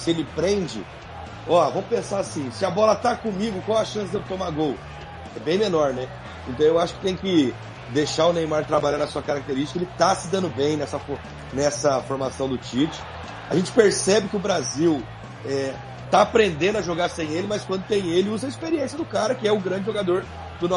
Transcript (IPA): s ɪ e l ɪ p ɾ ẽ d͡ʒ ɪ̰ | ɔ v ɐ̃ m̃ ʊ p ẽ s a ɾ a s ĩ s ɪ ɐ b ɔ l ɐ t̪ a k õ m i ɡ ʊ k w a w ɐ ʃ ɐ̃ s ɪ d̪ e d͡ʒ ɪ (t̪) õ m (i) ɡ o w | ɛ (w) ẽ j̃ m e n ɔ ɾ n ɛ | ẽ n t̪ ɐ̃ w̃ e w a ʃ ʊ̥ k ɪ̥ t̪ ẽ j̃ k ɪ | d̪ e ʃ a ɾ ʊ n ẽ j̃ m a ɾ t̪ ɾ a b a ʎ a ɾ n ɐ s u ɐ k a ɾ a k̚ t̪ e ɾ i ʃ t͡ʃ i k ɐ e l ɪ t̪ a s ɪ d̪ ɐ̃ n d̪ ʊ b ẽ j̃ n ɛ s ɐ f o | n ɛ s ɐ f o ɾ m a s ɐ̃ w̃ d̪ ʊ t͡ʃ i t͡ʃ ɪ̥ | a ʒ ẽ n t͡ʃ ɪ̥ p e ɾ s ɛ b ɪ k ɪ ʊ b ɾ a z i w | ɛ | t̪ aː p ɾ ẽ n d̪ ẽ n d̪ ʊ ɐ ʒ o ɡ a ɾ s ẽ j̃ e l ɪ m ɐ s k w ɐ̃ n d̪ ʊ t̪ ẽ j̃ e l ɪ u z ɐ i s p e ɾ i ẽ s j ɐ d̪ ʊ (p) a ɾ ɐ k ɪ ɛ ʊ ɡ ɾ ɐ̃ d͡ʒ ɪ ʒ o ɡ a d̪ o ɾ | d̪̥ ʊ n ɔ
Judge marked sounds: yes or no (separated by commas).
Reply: yes, no, no, no